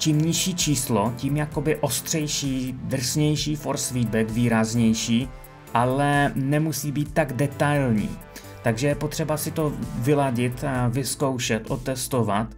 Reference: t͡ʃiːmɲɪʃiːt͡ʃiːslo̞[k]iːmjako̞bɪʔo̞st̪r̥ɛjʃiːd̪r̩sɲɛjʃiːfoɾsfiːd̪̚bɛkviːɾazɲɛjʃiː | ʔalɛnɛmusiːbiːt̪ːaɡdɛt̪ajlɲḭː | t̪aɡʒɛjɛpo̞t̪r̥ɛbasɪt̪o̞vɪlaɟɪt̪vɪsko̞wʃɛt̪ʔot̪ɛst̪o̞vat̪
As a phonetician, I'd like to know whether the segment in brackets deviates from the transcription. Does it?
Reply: yes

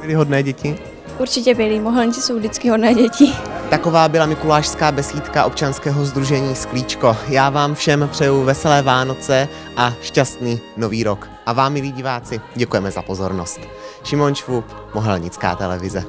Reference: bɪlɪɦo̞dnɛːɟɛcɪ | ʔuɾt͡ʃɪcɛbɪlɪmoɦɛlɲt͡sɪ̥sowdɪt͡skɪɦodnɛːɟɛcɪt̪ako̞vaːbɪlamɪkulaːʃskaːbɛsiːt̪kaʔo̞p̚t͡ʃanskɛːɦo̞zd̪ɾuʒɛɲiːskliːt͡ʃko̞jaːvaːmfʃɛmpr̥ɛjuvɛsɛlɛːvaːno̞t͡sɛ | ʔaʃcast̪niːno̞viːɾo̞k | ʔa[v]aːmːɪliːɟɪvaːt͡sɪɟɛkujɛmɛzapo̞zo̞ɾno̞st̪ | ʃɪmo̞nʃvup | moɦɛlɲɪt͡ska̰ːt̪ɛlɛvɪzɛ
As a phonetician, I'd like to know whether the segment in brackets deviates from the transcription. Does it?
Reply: no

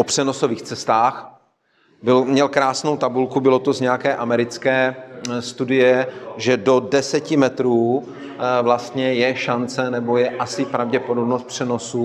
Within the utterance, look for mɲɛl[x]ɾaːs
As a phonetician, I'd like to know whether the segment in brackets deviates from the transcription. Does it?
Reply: yes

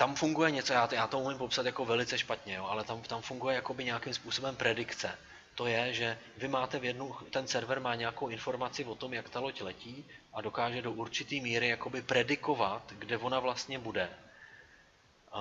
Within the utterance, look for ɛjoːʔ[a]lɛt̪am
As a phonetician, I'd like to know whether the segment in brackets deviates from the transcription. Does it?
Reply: no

